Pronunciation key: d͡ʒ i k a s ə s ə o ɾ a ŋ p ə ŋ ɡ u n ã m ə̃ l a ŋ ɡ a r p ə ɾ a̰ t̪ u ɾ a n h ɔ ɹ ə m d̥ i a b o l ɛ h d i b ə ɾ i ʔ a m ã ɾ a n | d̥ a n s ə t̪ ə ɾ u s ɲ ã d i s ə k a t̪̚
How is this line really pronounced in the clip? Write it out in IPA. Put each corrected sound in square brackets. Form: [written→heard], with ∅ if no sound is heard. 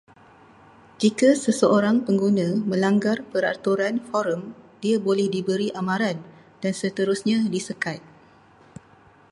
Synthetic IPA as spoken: d͡ʒ i k a s ə s ə o ɾ a ŋ p ə ŋ ɡ u n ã m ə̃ l a ŋ ɡ a r p ə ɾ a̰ t̪ u ɾ a n [h→f] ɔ [ɹ→ɾ] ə m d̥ i a b o l ɛ h d i b ə ɾ i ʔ a m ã ɾ a n | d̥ a n s ə t̪ ə ɾ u s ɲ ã d i s ə k a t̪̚